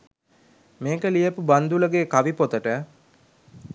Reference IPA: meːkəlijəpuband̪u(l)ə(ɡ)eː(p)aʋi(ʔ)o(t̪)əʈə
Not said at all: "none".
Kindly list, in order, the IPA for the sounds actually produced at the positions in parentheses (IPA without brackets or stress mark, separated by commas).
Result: l, ɡ, k, p, t̪